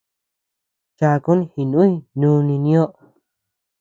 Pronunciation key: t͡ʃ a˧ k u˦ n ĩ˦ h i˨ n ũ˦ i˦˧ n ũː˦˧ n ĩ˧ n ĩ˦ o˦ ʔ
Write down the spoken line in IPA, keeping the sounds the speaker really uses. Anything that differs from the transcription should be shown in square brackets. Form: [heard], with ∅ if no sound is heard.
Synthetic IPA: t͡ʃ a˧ k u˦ n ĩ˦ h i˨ n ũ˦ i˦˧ n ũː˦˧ n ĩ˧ n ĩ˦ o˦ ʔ